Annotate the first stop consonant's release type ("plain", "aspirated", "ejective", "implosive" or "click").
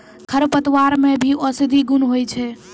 aspirated